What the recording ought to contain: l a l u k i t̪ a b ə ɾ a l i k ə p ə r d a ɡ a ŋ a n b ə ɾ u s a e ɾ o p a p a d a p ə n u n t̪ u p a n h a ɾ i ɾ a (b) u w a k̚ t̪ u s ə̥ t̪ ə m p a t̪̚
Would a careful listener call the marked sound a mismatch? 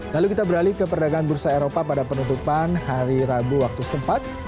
no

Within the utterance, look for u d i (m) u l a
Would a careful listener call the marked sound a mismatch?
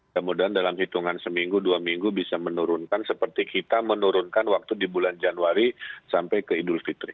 yes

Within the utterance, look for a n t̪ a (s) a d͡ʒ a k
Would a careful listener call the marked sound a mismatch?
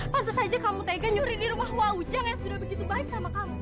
no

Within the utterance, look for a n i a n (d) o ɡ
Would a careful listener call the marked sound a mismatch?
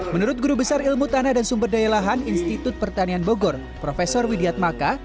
yes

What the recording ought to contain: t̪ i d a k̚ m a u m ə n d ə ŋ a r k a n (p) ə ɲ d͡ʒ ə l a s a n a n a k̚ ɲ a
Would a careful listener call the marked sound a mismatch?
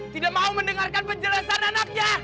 no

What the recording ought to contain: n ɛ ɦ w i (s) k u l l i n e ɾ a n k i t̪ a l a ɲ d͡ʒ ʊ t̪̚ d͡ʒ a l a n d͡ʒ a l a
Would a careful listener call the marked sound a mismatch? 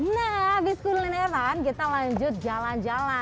no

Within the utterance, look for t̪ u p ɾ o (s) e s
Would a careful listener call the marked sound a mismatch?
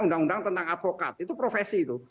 yes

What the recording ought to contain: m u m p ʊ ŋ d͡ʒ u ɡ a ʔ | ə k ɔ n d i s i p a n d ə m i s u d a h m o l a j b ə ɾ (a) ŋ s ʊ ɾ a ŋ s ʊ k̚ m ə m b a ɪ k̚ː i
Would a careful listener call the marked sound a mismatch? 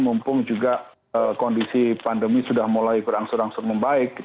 no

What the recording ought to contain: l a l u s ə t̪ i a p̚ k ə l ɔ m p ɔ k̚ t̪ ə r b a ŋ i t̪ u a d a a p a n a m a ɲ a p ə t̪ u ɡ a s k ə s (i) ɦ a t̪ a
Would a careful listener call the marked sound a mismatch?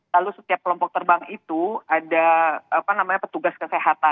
yes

